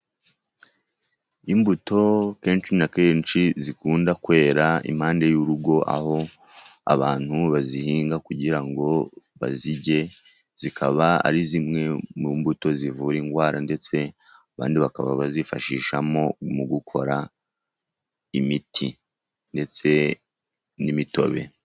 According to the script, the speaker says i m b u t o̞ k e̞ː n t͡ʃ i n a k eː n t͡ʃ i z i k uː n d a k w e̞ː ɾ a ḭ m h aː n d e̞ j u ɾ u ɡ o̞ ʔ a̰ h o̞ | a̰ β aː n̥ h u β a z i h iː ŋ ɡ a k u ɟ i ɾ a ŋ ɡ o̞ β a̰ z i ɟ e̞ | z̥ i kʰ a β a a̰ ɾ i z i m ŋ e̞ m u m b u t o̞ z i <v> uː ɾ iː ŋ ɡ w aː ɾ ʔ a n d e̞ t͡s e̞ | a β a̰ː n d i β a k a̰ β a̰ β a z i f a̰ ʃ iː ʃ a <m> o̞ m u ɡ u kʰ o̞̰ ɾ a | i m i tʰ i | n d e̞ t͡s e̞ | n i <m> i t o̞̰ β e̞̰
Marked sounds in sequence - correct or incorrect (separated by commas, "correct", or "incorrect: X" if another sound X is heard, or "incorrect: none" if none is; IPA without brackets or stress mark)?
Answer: correct, correct, correct